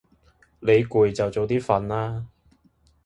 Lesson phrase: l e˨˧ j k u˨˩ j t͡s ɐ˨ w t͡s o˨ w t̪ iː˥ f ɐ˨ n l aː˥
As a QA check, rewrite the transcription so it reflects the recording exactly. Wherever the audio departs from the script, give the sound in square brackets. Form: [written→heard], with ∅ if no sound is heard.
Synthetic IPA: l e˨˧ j k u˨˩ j t͡s ɐ˨ w t͡s o˨ w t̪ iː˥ f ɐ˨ n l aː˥